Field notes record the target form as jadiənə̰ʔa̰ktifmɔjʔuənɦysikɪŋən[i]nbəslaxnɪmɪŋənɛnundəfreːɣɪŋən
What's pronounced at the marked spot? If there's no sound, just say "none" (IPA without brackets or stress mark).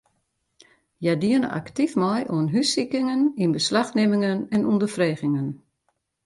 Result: i